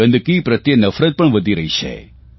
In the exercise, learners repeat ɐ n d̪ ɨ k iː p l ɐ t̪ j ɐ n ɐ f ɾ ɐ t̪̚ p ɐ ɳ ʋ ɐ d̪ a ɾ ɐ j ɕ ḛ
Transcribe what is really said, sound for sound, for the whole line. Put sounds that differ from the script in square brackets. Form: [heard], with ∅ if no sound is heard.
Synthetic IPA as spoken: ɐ n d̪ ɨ k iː p [ɾ] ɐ t̪ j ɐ n ɐ f ɾ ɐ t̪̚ p ɐ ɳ ʋ ɐ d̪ [i] ɾ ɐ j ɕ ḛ